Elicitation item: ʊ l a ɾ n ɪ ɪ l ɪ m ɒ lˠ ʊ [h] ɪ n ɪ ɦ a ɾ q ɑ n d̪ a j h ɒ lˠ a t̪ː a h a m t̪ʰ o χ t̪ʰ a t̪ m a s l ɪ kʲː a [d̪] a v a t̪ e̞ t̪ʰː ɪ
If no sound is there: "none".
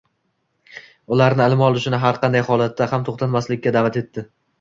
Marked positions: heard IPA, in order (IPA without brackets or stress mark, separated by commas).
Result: ʃ, d̪